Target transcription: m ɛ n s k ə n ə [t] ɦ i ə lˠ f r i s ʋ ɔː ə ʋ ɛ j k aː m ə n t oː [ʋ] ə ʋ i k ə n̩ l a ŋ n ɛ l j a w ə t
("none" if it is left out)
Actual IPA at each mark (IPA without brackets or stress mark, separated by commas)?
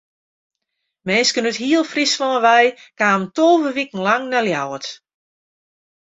t, v